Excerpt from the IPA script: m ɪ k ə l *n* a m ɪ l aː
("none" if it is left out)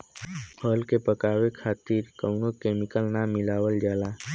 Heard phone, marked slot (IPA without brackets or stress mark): n